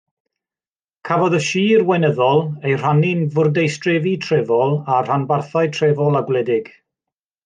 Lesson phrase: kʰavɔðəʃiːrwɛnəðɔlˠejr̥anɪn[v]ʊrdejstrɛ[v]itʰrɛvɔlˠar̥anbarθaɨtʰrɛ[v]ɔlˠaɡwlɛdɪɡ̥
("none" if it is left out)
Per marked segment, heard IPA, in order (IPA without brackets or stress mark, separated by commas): v, v, v